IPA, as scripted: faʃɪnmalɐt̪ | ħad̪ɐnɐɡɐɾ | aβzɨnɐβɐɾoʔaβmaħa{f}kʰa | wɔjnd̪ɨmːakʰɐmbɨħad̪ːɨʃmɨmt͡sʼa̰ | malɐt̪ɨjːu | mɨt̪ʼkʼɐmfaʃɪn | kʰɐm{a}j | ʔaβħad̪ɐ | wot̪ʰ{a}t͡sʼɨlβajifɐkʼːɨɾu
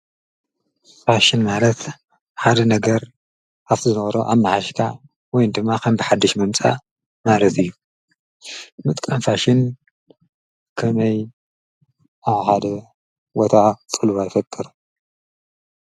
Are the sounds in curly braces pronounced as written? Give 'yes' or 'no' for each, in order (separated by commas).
no, no, yes